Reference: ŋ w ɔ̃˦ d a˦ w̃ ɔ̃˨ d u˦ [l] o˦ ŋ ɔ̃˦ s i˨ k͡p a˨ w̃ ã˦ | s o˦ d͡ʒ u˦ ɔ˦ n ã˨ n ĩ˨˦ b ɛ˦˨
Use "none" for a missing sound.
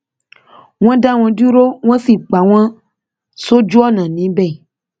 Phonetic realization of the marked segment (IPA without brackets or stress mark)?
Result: ɾ